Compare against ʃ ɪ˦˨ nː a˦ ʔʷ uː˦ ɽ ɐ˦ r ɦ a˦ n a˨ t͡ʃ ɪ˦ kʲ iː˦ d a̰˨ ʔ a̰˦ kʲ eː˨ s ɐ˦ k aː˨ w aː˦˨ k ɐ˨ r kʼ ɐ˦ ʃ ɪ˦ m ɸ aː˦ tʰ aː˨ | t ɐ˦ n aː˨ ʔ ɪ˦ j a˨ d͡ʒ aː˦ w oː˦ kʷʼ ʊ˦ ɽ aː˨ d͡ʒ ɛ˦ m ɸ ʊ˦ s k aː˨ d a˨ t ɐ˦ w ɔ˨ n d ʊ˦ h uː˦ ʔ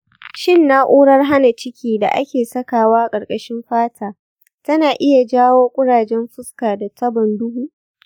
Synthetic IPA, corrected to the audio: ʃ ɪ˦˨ nː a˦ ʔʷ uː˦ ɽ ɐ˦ r ɦ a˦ n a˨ t͡ʃ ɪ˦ kʲ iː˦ d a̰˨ ʔ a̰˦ kʲ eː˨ s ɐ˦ k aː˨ w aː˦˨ kʼ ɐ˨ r kʼ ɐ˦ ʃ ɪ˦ m ɸ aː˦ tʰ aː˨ | t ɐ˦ n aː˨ ʔ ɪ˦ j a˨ d͡ʒ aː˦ w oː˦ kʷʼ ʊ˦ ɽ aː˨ d͡ʒ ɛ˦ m ɸ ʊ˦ s k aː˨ d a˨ t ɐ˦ b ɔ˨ n d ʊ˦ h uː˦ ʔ